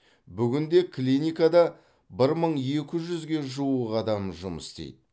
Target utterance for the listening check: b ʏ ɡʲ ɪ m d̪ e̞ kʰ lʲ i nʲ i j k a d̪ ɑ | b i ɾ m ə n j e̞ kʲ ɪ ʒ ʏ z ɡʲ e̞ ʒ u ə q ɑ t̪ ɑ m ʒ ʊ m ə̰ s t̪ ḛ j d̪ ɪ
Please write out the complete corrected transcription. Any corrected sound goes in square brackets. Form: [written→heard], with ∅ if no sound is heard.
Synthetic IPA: b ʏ ɡʲ ɪ [m→n] d̪ e̞ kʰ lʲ i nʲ i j k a d̪ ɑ | b [i→ɪ] ɾ m ə [n→ɴ] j e̞ kʲ ɪ ʒ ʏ z ɡʲ e̞ ʒ u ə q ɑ [t̪→d̪] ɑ m ʒ ʊ m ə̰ s t̪ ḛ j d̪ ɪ